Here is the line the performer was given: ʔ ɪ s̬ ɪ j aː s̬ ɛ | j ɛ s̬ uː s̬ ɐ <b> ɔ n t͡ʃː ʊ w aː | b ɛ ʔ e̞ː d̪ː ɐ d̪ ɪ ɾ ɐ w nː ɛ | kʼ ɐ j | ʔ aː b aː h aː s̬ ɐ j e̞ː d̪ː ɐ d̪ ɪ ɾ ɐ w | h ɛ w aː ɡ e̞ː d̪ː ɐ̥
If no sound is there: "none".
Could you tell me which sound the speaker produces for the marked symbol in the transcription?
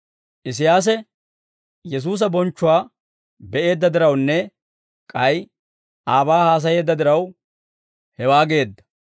b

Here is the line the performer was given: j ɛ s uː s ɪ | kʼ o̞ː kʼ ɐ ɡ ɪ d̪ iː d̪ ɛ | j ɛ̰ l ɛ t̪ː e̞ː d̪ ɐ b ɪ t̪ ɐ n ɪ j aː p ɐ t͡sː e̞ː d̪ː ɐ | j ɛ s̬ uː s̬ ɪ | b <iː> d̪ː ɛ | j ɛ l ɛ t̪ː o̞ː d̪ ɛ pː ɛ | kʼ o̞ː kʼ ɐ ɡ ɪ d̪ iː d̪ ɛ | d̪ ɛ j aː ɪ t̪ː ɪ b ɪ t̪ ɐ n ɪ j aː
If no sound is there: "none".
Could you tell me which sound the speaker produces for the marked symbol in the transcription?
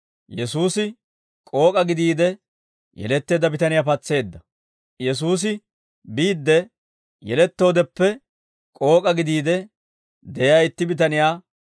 iː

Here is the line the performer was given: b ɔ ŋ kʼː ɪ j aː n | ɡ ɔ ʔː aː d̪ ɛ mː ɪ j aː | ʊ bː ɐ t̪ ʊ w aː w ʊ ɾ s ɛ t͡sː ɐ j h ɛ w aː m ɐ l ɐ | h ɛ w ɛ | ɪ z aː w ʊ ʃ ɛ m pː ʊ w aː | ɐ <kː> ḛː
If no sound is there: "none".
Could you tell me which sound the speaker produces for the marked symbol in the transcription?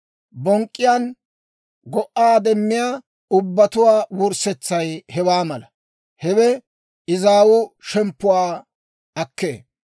kː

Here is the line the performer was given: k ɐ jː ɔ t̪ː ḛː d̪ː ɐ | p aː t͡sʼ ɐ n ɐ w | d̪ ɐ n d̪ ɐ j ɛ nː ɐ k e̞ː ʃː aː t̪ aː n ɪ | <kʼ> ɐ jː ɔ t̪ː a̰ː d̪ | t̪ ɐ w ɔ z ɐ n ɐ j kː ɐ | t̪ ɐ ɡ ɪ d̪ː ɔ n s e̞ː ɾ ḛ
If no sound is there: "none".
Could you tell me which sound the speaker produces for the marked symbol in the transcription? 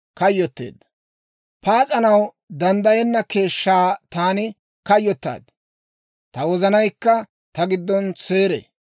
k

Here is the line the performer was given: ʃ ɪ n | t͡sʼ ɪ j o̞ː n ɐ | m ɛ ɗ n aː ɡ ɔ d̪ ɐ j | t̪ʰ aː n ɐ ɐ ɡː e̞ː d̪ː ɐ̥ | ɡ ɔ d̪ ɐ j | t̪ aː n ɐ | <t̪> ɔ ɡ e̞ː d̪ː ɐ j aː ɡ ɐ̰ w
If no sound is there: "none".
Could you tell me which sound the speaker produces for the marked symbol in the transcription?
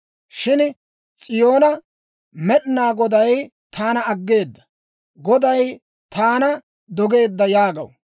d̪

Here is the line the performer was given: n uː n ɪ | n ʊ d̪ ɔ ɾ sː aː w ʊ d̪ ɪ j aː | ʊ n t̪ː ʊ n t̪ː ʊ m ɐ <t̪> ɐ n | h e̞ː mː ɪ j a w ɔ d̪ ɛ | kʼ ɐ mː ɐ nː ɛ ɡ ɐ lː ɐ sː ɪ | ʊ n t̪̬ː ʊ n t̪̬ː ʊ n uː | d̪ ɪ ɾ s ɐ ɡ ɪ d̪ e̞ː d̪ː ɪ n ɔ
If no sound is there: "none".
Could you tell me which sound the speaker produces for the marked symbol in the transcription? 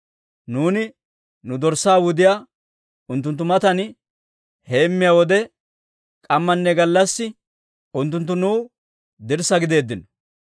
t̪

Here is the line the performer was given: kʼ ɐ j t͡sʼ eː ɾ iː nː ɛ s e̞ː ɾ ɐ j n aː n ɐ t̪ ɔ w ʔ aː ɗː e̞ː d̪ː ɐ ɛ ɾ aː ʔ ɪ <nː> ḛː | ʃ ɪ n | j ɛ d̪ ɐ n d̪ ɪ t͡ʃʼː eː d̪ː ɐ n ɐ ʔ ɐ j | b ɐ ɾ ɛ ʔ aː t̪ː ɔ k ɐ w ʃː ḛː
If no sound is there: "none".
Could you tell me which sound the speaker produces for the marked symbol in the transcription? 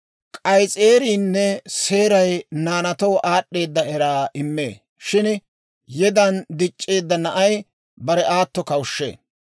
mː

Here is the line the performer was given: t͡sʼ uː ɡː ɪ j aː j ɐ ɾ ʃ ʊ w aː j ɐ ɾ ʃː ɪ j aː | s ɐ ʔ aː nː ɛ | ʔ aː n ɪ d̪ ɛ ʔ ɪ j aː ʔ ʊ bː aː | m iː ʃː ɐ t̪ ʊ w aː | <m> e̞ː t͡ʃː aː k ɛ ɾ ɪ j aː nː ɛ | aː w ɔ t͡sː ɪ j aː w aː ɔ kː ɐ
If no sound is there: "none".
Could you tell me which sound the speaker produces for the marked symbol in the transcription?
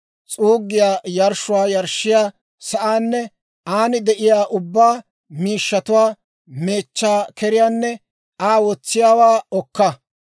m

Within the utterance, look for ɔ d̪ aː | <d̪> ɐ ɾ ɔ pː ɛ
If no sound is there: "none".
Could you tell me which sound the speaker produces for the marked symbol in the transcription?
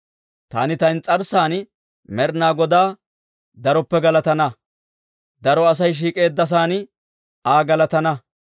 d̪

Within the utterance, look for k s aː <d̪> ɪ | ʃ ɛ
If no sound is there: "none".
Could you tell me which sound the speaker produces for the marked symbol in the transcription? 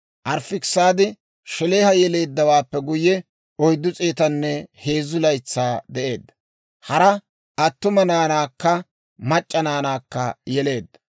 d̪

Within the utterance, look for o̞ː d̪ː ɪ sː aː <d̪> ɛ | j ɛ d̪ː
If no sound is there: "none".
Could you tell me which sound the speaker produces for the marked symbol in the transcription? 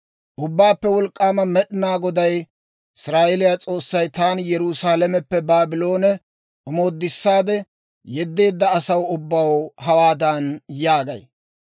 d̪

